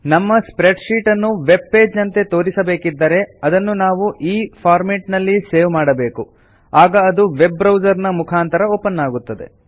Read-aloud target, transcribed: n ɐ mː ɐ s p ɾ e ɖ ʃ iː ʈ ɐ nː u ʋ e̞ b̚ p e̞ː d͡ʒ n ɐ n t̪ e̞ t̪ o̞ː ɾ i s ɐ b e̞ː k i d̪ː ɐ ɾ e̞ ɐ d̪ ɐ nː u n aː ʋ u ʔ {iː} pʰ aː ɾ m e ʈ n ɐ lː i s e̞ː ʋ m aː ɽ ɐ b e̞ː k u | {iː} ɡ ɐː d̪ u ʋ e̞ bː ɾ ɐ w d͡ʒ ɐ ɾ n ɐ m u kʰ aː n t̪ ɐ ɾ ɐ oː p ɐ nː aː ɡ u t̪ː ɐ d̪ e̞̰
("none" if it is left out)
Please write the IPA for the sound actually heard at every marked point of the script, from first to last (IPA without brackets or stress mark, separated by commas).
iː, aː